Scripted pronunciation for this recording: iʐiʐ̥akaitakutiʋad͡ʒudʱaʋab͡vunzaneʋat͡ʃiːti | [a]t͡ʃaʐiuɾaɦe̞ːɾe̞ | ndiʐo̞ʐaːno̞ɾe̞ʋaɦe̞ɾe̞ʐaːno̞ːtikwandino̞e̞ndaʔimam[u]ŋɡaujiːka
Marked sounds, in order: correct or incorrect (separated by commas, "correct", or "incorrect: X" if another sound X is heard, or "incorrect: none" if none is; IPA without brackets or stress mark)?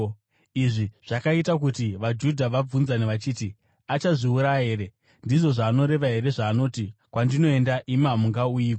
correct, correct